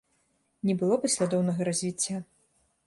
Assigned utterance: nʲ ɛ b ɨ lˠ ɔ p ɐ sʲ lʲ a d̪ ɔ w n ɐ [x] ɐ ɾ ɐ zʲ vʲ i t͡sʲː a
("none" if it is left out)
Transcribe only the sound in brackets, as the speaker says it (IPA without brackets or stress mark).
ɣ